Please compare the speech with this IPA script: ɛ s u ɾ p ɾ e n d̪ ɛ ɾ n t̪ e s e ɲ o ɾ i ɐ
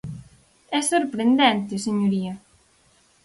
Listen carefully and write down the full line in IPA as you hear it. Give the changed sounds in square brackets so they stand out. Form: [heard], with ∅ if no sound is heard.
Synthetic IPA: ɛ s [o] ɾ p ɾ e n d̪ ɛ [∅] n t̪ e s e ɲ o ɾ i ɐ